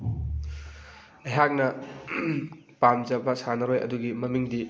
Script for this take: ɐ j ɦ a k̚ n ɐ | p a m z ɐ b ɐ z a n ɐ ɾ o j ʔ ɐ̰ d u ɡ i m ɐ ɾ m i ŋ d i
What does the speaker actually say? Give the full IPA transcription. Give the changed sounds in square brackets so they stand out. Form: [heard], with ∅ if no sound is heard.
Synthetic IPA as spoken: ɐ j ɦ a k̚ n ɐ | p a m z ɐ b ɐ [s] a n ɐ ɾ o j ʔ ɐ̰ d u ɡ i m ɐ [∅] m i ŋ d i